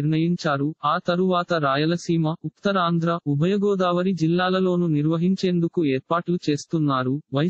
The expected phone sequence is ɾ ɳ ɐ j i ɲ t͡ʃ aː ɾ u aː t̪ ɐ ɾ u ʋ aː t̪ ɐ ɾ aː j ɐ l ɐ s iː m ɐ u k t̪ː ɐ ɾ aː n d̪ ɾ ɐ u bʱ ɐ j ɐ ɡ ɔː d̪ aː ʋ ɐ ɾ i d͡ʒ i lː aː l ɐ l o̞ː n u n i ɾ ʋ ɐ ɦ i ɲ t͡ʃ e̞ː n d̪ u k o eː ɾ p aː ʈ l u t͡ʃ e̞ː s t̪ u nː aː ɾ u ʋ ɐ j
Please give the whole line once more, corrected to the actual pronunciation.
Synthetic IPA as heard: ɾ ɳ ɐ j i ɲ t͡ʃ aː ɾ u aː t̪ ɐ ɾ u ʋ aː t̪ ɐ ɾ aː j ɐ l ɐ s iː m ɐ u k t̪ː ɐ ɾ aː n d̪ ɾ ɐ u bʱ ɐ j ɐ ɡ ɔː d̪ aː ʋ ɐ ɾ i d͡ʒ i lː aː l ɐ l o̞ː n u n i ɾ ʋ ɐ ɦ i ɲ t͡ʃ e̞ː n d̪ u k u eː ɾ p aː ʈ l u t͡ʃ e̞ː s t̪ u nː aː ɾ u ʋ ɐ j